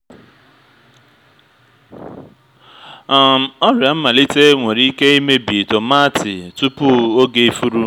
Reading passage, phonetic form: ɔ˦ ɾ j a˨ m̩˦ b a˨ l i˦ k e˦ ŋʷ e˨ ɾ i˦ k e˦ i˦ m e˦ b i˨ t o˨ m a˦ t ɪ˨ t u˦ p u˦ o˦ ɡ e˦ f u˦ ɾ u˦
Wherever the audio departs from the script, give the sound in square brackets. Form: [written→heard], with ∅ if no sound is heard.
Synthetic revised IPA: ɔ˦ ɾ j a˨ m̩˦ [b→m] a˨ l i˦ [k→t] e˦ ŋʷ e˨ ɾ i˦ k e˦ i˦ m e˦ b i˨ t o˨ m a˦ t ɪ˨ t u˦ p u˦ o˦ ɡ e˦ f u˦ ɾ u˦